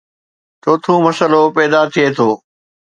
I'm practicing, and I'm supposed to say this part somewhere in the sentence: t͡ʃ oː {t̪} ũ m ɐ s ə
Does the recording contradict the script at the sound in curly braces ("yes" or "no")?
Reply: yes